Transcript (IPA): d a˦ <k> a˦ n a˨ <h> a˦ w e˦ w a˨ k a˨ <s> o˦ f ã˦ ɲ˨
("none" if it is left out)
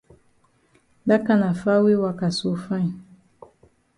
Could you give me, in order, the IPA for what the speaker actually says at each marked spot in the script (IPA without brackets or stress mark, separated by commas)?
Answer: k, f, s